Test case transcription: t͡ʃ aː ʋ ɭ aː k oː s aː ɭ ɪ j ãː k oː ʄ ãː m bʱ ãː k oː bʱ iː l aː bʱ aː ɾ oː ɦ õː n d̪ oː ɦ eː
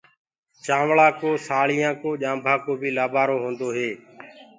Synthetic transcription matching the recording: t͡ʃ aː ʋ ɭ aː k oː s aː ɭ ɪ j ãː k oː ʄ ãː m bʱ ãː k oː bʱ iː l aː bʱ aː ɾ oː ɦ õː n d̪ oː ɦ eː